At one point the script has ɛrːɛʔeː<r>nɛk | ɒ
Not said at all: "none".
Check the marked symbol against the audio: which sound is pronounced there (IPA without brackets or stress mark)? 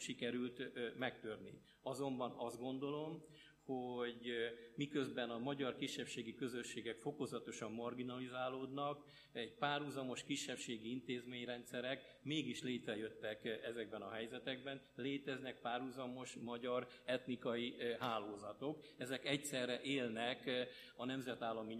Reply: l